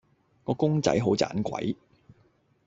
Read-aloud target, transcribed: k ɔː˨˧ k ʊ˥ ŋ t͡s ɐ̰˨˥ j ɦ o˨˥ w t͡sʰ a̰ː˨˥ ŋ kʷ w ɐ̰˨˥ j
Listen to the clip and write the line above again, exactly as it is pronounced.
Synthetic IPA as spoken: k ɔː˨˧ k ʊ˥ ŋ t͡s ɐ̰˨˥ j ɦ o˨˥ w t͡s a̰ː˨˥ n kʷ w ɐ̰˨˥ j